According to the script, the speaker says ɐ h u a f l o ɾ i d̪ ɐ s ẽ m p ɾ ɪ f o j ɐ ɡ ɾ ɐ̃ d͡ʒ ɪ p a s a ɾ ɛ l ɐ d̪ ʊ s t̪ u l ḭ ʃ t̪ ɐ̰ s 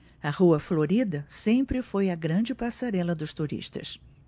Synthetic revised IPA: ɐ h u ɐ f l o ɾ i d̪ ɐ s ẽ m p ɾ ɪ f o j ɐ ɡ ɾ ɐ̃ d͡ʒ ɪ p a s a ɾ ɛ l ɐ d̪ ʊ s t̪ u ɾ ḭ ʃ t̪ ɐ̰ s